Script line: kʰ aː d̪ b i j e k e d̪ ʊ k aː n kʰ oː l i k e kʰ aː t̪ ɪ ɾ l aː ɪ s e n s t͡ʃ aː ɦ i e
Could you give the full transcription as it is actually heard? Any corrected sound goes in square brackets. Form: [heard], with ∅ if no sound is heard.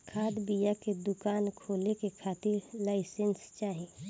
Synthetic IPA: kʰ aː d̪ b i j [a] k e d̪ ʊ k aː n kʰ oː l [e] k e kʰ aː t̪ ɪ ɾ l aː ɪ s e n s t͡ʃ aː ɦ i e